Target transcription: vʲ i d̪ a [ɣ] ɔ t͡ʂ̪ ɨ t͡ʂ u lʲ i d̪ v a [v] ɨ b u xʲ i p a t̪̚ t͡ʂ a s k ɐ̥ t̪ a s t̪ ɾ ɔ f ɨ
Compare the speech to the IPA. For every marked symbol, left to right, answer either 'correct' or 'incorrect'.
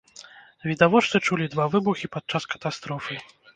incorrect, correct

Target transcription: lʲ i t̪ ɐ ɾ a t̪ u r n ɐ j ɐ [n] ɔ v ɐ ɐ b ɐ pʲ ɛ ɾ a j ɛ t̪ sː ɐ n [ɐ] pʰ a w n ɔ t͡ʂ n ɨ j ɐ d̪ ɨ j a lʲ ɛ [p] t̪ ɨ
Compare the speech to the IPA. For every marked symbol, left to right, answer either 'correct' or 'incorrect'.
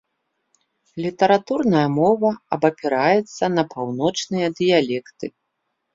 incorrect, correct, incorrect

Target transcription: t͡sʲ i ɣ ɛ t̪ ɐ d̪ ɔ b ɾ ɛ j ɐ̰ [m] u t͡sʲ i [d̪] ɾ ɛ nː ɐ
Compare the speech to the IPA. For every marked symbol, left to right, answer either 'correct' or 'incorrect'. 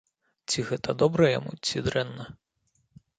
correct, correct

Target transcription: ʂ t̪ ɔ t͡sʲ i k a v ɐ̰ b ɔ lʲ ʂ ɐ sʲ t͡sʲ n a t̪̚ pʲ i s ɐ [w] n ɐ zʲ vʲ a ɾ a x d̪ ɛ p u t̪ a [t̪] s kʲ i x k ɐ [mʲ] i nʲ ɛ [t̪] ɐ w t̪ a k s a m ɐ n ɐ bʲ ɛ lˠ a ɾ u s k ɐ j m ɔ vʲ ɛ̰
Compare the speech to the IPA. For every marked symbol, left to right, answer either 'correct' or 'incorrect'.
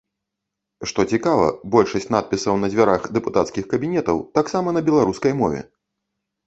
correct, correct, incorrect, correct

